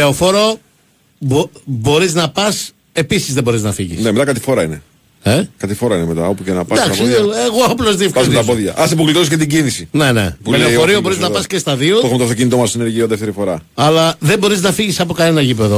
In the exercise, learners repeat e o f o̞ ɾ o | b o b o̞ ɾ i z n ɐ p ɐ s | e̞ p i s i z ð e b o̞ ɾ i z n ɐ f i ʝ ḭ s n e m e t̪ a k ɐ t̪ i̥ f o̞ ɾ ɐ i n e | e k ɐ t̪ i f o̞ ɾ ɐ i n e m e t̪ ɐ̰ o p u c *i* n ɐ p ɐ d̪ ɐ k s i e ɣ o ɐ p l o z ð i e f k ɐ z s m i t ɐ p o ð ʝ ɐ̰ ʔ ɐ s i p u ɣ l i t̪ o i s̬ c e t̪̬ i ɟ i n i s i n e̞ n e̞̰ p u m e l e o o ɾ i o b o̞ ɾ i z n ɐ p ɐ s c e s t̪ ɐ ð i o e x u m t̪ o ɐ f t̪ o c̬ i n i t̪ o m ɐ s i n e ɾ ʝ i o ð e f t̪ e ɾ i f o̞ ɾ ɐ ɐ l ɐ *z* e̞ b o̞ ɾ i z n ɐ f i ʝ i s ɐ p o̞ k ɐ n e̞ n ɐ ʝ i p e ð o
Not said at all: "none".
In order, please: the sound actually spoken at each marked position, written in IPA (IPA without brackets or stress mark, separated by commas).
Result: e, ð